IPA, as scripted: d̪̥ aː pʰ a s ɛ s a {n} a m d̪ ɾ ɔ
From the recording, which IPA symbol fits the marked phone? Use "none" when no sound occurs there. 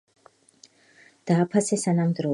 n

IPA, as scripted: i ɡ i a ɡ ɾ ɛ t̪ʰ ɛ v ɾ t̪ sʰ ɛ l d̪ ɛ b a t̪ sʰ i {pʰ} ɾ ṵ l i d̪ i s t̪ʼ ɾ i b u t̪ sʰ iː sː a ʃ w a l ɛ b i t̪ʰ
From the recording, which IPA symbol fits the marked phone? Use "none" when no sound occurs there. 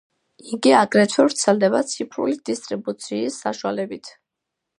pʰ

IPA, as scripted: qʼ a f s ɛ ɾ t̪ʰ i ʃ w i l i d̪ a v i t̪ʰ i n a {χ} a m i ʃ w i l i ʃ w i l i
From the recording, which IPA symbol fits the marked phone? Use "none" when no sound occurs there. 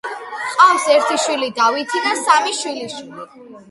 s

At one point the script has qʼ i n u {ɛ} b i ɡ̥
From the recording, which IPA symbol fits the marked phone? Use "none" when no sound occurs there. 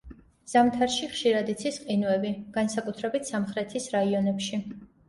ɛ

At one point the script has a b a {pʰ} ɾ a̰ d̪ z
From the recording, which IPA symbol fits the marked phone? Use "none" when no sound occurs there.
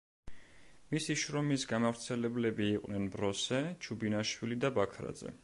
kʰ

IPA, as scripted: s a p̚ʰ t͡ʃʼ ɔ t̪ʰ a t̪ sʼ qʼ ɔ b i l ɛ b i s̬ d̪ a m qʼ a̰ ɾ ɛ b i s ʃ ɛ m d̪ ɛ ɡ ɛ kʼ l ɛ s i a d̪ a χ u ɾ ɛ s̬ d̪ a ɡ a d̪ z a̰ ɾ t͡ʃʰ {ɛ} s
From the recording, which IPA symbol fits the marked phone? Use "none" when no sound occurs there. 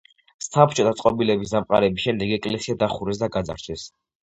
ɛ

